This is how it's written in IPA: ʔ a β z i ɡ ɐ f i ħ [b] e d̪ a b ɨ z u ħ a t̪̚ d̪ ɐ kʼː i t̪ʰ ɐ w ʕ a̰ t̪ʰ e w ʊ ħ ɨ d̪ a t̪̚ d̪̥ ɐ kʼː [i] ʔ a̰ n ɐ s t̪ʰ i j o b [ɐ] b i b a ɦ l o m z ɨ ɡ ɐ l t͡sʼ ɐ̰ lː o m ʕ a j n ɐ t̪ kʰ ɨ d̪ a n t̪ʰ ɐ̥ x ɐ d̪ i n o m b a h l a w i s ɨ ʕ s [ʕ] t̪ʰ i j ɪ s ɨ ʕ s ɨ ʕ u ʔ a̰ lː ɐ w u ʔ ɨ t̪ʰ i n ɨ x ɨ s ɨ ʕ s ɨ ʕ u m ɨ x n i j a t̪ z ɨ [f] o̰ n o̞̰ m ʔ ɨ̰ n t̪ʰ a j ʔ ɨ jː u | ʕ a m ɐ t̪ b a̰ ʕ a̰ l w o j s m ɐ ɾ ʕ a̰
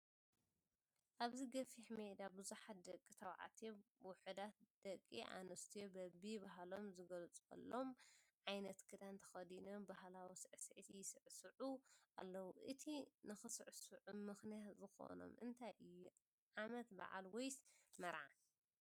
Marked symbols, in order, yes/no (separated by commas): no, yes, yes, yes, no